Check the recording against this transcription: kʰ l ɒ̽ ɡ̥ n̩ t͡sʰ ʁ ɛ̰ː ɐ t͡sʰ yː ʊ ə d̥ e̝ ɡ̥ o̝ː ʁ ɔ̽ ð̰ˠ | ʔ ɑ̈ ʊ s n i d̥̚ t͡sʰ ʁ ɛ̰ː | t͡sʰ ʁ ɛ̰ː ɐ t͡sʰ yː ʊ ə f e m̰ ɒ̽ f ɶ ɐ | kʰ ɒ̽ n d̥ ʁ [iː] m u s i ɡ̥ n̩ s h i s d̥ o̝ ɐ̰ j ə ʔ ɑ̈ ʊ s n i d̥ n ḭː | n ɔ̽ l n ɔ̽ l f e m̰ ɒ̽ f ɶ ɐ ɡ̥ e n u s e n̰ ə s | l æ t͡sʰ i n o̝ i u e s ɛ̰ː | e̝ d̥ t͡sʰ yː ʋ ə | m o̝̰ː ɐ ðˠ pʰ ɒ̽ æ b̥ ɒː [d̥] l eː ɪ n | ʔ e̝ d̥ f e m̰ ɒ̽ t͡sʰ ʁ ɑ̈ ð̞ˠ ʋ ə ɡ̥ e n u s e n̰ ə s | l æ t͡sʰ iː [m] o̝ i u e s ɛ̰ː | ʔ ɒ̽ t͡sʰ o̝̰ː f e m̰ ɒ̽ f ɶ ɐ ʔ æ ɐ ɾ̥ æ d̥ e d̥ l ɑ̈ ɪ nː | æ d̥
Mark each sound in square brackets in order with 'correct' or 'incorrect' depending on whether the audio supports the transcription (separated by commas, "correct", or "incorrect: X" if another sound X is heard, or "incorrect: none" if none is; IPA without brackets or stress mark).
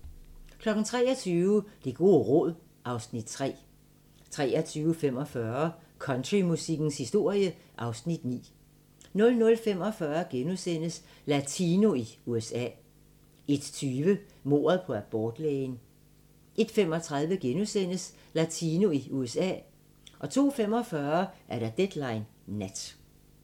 incorrect: i, correct, incorrect: n